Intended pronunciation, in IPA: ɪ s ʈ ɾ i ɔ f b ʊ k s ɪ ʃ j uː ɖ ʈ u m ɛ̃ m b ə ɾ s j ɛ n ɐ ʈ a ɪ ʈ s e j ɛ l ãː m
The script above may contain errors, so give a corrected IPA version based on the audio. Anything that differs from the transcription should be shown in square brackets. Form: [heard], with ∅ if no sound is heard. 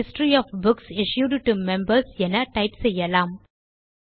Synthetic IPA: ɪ s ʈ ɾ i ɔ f b ʊ k s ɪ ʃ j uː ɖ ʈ u m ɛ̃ m b ə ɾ s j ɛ n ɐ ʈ a ɪ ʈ s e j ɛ l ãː m